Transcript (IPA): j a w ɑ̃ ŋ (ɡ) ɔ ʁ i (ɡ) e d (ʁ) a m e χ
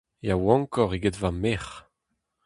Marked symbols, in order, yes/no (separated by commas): no, yes, no